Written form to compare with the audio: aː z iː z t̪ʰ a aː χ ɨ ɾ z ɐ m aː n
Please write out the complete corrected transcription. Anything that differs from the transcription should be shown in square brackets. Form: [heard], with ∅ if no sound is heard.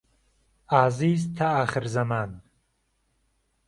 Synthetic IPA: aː z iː z t̪ʰ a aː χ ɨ ɾ z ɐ m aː n